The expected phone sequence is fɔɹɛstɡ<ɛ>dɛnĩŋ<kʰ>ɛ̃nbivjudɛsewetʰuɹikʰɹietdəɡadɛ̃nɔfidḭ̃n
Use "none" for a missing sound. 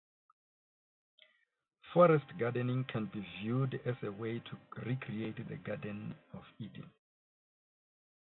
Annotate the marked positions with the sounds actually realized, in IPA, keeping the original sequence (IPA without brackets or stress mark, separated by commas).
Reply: a, kʰ